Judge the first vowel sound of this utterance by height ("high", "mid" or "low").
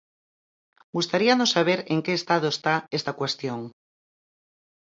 high